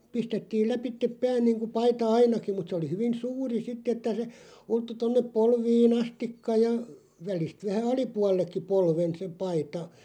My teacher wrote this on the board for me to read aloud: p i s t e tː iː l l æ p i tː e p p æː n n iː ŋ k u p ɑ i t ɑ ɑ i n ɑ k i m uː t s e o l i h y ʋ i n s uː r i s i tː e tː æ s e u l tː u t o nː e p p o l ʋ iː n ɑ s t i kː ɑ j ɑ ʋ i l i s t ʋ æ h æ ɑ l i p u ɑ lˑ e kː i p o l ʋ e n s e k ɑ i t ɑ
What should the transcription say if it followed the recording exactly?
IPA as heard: p i s t e tː iː l l æ p i tː e p p æː n n iː ŋ k u p ɑ i t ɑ ɑ i n ɑ k i m u t s e o l i h y ʋ i n s uː r i s i tː e tː æ s e u l tː u t o nː e p p o l ʋ iː n ɑ s t i kː ɑ j ɑ ʋ æ l i s t ʋ æ h æ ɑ l i p u ɑ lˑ e kː i p o l ʋ e n s e p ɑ i t ɑ